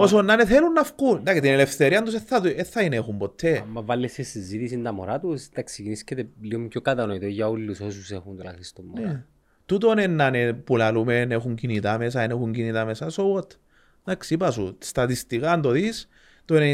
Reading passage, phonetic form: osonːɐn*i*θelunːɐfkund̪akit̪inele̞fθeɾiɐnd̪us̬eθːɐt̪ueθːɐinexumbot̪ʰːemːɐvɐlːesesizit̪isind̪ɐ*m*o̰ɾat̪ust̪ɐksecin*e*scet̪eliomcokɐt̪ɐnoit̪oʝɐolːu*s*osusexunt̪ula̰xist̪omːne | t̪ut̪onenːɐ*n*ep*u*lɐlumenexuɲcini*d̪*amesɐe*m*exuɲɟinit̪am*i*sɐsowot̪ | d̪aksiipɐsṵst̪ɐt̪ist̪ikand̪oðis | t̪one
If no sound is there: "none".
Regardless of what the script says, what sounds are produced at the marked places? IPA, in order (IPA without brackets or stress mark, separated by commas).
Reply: e, m, i, s, n, u, t̪, n, e